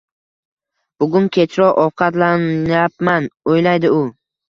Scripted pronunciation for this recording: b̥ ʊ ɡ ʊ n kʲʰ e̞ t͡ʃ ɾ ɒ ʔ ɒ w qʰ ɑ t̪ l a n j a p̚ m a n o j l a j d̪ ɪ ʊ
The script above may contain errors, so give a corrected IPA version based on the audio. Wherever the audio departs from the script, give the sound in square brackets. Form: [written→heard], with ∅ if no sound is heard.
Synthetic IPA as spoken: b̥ ʊ ɡ ʊ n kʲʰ e̞ t͡ʃ ɾ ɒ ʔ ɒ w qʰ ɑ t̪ l a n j a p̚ m a n o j l a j d̪ ɪ ʊ